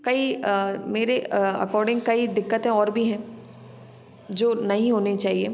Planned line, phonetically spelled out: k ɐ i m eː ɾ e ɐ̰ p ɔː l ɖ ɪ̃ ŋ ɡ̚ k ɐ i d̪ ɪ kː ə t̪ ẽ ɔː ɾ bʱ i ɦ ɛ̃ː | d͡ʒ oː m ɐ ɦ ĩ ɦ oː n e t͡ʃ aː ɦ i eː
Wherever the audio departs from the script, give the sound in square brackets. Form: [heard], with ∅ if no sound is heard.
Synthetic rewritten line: k ɐ i m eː ɾ e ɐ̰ [k] ɔː [ɾ] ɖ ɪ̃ ŋ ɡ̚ k ɐ i d̪ ɪ kː ə t̪ ẽ ɔː ɾ bʱ i ɦ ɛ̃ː | d͡ʒ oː [n] ɐ ɦ ĩ ɦ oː n e t͡ʃ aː ɦ i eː